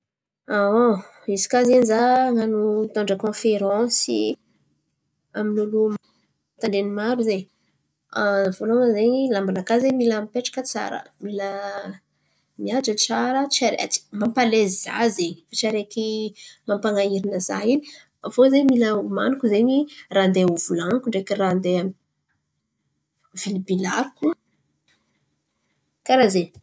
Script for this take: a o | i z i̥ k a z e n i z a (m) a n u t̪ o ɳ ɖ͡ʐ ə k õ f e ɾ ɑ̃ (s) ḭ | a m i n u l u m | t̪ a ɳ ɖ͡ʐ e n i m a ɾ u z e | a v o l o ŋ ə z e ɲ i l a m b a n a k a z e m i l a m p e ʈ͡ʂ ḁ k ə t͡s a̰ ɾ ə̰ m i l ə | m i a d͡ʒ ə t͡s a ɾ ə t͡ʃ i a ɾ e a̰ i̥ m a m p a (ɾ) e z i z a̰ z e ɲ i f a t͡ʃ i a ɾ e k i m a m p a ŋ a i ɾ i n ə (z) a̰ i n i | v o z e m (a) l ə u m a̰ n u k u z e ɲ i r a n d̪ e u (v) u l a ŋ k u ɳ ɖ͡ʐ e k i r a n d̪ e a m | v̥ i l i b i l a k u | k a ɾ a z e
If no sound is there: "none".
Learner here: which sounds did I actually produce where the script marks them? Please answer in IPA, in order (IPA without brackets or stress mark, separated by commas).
ŋ, s, l, z, i, v